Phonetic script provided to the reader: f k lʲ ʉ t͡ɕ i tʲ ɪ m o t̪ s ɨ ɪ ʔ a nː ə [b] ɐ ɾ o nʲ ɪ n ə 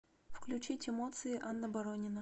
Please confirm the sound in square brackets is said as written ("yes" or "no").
yes